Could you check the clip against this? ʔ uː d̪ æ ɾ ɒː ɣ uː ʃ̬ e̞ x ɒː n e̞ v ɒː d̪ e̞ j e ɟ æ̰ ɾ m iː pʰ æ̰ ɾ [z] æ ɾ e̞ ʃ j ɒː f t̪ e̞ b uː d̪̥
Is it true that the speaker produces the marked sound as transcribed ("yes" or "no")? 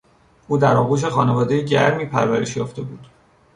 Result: no